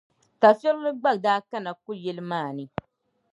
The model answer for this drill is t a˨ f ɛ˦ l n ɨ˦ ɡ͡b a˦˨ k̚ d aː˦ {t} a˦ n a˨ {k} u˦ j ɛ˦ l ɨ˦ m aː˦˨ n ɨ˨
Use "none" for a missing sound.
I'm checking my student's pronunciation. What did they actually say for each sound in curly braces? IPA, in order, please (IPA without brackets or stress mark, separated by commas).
k, k